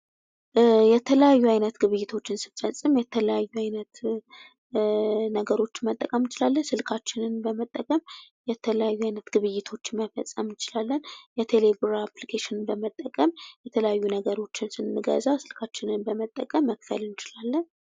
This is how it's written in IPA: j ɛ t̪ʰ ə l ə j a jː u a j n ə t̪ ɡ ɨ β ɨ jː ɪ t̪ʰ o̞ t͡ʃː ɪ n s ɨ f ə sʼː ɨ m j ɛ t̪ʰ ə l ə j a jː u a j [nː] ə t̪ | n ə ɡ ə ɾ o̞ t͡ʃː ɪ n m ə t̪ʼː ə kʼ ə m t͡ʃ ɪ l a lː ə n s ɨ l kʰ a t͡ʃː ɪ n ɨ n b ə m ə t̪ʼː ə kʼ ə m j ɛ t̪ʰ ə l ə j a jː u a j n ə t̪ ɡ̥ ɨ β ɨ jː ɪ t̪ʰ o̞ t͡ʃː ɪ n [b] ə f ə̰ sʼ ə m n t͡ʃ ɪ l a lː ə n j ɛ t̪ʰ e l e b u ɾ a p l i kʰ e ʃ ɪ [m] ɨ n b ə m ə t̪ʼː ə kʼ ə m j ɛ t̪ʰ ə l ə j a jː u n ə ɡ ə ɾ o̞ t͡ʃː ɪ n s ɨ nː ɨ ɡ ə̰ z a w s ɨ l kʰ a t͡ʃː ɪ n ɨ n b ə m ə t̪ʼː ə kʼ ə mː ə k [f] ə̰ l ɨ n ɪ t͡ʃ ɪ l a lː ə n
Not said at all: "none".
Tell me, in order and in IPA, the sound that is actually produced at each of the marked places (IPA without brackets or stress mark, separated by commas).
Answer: n, m, n, f